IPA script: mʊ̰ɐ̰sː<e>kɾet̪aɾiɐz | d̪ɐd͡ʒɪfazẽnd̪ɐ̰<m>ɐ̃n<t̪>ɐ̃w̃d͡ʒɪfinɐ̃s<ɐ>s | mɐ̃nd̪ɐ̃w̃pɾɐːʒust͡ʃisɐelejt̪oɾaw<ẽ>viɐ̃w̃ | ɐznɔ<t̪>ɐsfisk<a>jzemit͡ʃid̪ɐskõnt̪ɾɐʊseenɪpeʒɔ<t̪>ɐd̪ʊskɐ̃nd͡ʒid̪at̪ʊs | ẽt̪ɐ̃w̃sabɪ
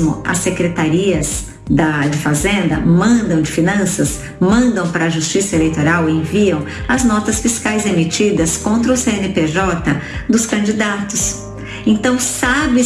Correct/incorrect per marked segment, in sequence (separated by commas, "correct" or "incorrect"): correct, correct, incorrect, correct, correct, correct, correct, correct